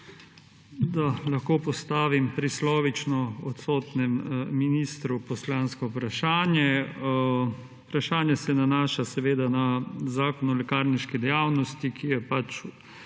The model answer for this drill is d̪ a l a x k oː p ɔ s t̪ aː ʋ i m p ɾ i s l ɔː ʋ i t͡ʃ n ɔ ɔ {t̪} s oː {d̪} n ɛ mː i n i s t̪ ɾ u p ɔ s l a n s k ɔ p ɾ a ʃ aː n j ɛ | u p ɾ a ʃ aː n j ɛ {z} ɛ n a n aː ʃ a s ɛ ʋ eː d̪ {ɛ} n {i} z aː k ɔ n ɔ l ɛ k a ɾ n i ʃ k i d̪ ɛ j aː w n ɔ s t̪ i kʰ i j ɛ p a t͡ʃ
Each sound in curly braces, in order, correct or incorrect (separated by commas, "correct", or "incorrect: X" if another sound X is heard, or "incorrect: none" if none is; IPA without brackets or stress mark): correct, incorrect: t̪, incorrect: s, incorrect: a, incorrect: a